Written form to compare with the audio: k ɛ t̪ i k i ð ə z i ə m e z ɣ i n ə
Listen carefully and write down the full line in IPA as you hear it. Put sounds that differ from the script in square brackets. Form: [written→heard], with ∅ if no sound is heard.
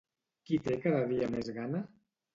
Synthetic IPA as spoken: k [ɛ→i] t̪ [i→e] k [i→a] ð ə [z→ð] i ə m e z ɣ [i→a] n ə